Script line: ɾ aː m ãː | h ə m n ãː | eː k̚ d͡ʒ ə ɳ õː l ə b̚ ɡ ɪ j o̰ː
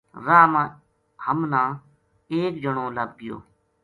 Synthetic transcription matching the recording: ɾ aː m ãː | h ə m n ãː | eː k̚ d͡ʒ ə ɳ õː l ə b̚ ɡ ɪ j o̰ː